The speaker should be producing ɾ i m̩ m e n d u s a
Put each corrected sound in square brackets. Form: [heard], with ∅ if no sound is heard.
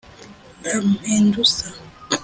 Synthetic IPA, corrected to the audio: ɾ [a] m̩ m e n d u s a